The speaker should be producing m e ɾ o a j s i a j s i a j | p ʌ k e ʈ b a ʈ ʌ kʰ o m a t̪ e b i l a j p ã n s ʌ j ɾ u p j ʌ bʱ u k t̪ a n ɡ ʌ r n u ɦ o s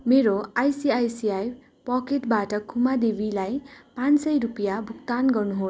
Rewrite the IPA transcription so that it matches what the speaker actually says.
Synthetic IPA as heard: m e ɾ o a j s i a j s i a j | p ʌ k e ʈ b a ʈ ʌ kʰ u m a d̪ e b i l a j p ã n s ʌ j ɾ u p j a bʱ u k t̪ a n ɡ ʌ r n u ɦ o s